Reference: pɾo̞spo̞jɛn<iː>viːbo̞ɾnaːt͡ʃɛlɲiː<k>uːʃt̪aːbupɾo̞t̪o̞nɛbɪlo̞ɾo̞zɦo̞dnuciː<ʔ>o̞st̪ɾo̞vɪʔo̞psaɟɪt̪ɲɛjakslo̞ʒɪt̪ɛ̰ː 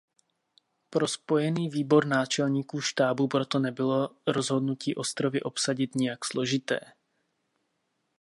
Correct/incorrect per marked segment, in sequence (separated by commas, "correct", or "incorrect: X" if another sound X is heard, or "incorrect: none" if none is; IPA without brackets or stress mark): correct, correct, correct